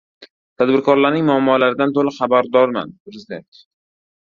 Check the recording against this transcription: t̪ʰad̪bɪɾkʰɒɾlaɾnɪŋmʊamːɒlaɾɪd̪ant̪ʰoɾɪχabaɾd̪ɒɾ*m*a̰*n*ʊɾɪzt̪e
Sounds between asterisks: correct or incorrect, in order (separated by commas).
correct, correct